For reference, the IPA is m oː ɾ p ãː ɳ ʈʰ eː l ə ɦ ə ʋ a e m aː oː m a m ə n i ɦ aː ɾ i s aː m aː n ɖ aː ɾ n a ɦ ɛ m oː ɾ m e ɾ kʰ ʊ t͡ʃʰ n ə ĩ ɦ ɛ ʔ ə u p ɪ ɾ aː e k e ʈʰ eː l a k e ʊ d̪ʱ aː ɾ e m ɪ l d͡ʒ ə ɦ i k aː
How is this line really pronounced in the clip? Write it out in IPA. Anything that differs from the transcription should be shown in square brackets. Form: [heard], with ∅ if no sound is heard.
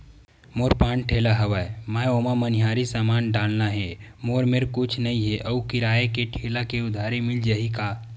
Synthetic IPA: m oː ɾ p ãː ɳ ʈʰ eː l [a] ɦ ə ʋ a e m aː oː m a m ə n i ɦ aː ɾ i s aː m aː n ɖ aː [l] n a ɦ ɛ m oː ɾ m e ɾ [k] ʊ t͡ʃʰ n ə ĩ ɦ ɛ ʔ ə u [k] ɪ ɾ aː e k e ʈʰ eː l a k e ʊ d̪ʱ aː ɾ e m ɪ l d͡ʒ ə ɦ i k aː